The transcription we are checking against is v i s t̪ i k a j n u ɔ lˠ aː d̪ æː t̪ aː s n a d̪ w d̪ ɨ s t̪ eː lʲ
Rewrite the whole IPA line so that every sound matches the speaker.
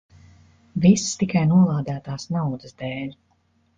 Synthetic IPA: v i s t̪ i k a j n u ɔ lˠ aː d̪ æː t̪ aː s n a w d̪ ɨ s d̪ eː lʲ